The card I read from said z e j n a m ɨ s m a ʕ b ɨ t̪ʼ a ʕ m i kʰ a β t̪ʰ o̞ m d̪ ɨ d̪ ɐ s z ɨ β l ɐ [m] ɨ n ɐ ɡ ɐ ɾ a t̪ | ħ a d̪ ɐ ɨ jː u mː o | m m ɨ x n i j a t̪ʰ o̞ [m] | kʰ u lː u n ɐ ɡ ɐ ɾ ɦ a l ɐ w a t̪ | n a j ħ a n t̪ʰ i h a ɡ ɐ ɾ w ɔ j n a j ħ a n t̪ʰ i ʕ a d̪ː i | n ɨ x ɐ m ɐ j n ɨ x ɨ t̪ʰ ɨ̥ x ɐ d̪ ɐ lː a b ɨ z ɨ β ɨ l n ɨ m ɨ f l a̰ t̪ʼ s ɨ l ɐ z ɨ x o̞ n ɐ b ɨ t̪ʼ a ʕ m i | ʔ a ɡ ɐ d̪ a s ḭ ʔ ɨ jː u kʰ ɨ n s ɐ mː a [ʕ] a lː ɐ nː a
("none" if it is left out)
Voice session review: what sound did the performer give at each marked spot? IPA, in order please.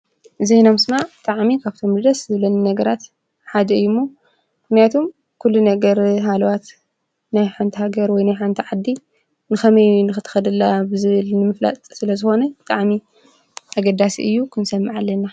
n, m, ʕ

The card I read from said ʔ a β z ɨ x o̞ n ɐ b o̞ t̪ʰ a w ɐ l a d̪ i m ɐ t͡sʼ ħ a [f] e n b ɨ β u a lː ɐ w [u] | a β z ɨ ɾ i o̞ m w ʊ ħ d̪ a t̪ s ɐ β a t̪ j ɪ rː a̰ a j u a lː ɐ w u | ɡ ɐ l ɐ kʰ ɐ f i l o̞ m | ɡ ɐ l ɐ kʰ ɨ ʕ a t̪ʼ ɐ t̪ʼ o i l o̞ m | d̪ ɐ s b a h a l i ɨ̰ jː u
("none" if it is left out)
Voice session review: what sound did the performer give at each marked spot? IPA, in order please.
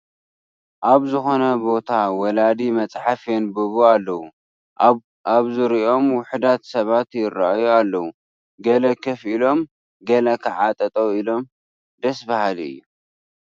f, u

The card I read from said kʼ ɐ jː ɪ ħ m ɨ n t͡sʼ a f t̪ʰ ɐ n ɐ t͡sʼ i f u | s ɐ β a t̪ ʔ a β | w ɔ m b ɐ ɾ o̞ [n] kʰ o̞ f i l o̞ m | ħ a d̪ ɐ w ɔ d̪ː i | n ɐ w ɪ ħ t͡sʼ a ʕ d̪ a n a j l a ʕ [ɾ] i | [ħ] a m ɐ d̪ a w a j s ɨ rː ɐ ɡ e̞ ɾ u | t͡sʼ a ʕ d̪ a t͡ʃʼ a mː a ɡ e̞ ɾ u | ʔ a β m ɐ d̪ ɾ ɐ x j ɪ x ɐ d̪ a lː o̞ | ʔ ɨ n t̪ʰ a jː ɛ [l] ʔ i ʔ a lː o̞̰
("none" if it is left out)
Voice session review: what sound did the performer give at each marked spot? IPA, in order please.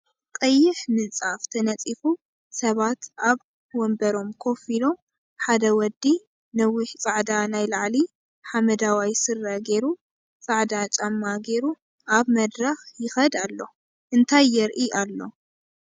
m, l, ħ, ɾ

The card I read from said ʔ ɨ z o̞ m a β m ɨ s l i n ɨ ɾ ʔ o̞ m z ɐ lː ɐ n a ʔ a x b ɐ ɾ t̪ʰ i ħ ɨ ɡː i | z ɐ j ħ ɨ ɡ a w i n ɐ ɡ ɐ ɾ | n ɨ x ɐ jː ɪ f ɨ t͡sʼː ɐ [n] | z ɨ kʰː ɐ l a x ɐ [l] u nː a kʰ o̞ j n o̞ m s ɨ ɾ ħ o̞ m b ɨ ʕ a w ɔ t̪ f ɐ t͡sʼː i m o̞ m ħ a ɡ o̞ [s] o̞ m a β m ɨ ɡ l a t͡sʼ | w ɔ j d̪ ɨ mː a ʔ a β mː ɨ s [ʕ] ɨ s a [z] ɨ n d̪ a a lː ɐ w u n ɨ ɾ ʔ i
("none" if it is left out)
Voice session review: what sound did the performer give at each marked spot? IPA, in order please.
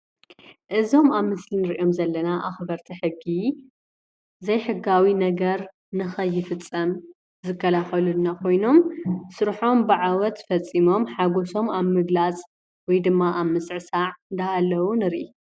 m, l, s, ʕ, ʕ

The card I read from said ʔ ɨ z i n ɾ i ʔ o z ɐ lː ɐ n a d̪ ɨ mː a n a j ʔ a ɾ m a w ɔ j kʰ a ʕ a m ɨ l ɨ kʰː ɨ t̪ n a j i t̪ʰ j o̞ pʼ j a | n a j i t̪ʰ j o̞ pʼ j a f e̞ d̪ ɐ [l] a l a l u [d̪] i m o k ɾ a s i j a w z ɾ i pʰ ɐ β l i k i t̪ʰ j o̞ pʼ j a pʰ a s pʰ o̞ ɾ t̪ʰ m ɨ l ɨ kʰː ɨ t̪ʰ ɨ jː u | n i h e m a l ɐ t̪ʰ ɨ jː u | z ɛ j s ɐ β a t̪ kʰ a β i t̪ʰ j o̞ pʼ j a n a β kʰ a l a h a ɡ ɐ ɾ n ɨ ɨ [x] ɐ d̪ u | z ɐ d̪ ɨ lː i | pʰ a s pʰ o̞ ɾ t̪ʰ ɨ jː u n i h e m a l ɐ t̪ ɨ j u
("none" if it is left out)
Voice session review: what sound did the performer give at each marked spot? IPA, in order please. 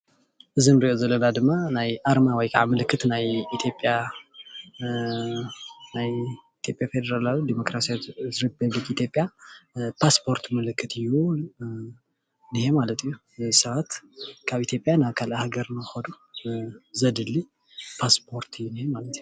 ɾ, d̪, x

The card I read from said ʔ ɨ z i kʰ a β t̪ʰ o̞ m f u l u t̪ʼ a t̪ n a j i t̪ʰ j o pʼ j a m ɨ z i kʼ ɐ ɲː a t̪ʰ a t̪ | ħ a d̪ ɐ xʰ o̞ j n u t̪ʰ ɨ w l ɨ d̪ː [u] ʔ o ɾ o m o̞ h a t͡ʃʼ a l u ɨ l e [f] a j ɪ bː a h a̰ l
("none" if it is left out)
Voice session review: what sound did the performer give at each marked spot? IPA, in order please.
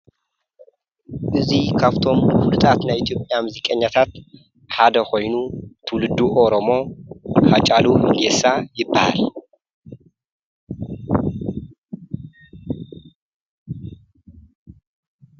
u, s

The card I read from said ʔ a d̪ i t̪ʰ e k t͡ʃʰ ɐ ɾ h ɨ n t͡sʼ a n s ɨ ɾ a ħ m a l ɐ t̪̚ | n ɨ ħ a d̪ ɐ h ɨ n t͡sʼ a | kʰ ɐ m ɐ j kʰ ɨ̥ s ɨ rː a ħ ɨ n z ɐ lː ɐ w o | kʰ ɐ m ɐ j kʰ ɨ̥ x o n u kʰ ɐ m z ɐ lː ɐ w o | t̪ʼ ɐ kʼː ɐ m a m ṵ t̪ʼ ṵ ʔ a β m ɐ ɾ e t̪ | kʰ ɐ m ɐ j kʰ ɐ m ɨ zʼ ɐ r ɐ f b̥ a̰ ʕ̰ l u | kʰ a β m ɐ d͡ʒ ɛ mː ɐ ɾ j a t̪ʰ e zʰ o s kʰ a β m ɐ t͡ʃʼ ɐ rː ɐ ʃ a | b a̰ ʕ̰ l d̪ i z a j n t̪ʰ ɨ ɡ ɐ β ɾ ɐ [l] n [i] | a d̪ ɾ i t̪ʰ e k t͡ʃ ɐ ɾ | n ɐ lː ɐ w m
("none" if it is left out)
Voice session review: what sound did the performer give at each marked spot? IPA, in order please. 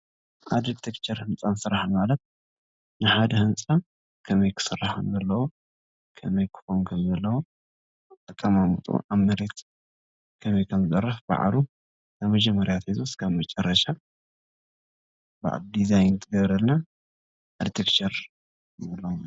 l, a

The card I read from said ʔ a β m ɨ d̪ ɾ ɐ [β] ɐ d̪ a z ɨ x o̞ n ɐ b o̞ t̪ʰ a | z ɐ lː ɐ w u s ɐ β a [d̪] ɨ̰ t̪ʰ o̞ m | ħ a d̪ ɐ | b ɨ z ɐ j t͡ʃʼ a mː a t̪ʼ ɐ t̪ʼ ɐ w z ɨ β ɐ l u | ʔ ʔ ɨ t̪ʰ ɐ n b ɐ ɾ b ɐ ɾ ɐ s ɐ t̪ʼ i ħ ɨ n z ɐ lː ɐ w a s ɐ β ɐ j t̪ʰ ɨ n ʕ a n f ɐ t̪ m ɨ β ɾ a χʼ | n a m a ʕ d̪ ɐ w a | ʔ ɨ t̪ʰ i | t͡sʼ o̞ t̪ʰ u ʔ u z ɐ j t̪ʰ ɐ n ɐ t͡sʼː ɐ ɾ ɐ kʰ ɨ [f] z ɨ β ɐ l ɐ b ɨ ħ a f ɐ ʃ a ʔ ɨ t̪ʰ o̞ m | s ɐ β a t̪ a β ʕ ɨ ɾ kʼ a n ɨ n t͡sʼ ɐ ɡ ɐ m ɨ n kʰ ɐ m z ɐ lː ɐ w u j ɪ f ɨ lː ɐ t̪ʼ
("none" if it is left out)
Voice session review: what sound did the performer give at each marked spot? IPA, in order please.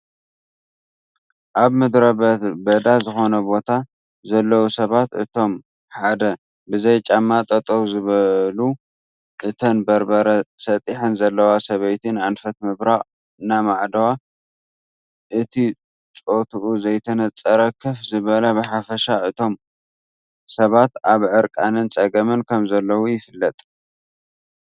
b, t̪, f

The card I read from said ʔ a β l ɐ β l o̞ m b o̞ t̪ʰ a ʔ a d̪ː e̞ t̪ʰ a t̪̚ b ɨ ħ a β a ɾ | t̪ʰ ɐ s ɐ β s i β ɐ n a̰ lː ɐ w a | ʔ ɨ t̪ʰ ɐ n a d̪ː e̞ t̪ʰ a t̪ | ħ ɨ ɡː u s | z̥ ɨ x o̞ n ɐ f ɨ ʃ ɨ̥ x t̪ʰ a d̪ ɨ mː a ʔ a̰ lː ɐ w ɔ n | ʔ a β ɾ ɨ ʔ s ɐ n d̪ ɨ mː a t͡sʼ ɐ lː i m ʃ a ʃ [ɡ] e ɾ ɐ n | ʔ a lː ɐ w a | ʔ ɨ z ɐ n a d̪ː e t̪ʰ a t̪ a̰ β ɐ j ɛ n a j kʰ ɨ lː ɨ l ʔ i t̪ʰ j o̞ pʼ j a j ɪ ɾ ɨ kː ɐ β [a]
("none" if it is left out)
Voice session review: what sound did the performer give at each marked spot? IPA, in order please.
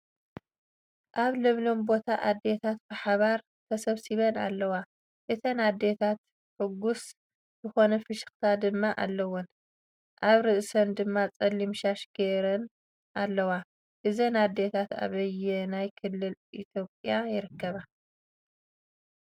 ɡ, a

